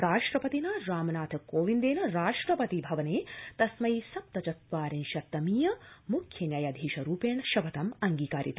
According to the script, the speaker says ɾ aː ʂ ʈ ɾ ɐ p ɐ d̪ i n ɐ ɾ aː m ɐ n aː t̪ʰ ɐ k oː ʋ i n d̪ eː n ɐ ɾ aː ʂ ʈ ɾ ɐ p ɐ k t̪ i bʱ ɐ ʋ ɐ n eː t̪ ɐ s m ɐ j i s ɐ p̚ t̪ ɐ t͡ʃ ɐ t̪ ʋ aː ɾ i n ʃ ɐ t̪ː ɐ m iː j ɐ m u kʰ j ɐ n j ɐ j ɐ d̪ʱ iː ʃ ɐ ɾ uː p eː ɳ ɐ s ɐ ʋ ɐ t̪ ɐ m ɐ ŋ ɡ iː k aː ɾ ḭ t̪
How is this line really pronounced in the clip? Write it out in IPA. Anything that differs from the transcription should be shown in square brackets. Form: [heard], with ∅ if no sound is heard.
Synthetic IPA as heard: ɾ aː ʂ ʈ ɾ ɐ p ɐ [t̪] i n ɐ ɾ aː m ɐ n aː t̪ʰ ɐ k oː ʋ i n d̪ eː n ɐ ɾ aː ʂ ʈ ɾ ɐ p ɐ [∅] t̪ i bʱ ɐ ʋ ɐ n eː t̪ ɐ s m ɐ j i s ɐ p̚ t̪ ɐ t͡ʃ ɐ t̪ ʋ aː ɾ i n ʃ ɐ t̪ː ɐ m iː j ɐ m u kʰ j ɐ n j ɐ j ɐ d̪ʱ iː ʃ ɐ ɾ uː p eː ɳ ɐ [ʃ] ɐ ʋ ɐ t̪ ɐ m ɐ ŋ ɡ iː k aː ɾ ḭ t̪